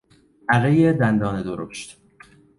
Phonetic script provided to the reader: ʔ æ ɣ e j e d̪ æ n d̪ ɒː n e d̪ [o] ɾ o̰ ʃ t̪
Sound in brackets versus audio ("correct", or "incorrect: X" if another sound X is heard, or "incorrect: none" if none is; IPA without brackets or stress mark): correct